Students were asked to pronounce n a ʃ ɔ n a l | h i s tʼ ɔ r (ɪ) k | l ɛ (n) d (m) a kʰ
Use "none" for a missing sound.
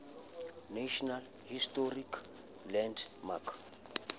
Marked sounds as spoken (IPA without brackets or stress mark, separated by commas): i, n, m